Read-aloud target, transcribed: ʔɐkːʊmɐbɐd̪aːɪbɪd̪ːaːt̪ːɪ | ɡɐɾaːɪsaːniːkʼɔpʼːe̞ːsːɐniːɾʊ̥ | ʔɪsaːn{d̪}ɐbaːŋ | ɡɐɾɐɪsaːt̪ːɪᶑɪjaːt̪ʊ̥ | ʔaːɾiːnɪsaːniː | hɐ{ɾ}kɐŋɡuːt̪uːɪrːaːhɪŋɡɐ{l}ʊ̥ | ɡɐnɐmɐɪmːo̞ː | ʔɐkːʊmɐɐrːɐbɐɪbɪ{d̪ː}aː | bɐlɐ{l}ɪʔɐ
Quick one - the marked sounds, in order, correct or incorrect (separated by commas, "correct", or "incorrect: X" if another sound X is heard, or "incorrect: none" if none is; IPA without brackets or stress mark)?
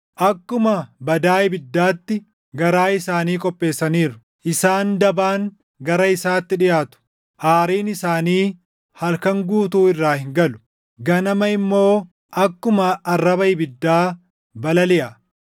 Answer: correct, incorrect: l, correct, correct, correct